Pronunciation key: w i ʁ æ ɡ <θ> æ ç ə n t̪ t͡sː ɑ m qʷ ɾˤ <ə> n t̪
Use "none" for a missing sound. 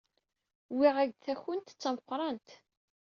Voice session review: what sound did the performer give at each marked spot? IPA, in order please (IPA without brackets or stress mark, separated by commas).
θ, ɑ